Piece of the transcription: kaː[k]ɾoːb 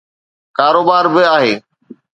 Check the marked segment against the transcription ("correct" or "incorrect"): incorrect